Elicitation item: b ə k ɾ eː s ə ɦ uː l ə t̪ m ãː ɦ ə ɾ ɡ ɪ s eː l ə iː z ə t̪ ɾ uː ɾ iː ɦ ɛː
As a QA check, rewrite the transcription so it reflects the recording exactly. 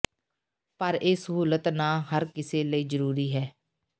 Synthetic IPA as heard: p ə ɾ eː s ə ɦ uː l ə t̪ n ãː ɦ ə ɾ k ɪ s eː l ə iː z ə ɾ uː ɾ iː ɦ ɛː